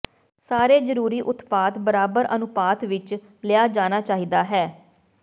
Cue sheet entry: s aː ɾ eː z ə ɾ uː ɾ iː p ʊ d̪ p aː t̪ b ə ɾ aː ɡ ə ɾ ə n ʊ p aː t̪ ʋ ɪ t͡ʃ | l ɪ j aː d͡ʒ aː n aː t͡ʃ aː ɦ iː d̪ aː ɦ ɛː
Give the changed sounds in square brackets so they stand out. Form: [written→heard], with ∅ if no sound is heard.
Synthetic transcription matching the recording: s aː ɾ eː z ə ɾ uː ɾ iː [p→ʔ] ʊ [d̪→t̪] p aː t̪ b ə ɾ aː [ɡ→b] ə ɾ ə n ʊ p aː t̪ ʋ ɪ t͡ʃ | l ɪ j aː d͡ʒ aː n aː t͡ʃ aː ɦ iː d̪ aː ɦ ɛː

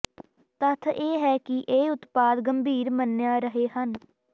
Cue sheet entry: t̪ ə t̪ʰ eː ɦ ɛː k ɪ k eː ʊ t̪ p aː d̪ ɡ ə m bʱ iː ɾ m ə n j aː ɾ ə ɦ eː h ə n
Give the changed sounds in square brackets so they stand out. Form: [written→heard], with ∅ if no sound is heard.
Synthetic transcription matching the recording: t̪ ə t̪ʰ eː ɦ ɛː k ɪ [k→ʔ] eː ʊ t̪ p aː d̪ ɡ ə m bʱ iː ɾ m ə n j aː ɾ ə ɦ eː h ə n

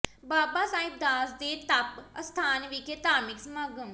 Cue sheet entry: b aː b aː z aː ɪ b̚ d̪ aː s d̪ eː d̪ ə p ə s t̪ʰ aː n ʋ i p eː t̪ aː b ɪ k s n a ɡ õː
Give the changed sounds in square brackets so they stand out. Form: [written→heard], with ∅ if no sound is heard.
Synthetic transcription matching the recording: b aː b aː [z→s] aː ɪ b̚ d̪ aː s d̪ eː [d̪→t̪] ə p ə s t̪ʰ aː n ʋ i [p→k] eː t̪ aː [b→m] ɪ k s [n→m] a ɡ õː

